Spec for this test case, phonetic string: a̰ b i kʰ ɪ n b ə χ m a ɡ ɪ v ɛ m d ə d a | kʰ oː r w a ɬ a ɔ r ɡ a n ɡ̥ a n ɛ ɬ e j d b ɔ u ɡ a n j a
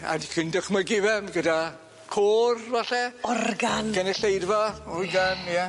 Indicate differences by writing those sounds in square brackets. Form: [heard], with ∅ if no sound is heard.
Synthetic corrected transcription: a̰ [d] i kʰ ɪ n [d] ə χ m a ɡ ɪ v ɛ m [ɡ] ə d a | kʰ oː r [v] a ɬ [ɛ] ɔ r ɡ a n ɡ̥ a n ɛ ɬ e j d [v] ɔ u ɡ a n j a